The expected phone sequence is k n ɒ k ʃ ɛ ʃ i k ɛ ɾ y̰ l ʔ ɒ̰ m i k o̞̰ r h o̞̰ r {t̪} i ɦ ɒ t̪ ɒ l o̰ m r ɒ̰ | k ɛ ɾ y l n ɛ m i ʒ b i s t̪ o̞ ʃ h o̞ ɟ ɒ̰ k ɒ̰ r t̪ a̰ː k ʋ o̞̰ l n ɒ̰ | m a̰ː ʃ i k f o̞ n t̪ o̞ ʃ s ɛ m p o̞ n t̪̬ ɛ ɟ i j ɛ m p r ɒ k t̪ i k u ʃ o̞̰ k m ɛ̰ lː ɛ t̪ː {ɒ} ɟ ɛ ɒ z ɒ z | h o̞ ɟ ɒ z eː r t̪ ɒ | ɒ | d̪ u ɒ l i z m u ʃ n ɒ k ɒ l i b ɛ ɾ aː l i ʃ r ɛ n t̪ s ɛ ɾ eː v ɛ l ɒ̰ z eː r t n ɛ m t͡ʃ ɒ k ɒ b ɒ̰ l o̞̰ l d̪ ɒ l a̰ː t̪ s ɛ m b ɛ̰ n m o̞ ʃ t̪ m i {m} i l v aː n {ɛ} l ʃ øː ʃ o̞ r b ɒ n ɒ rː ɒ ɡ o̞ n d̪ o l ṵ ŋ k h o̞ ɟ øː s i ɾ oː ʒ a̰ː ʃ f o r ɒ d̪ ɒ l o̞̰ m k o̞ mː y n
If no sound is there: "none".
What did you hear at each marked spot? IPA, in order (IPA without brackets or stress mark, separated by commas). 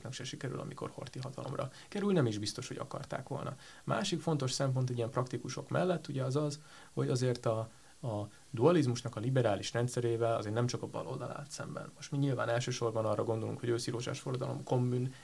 t̪, u, ɲ, ɛ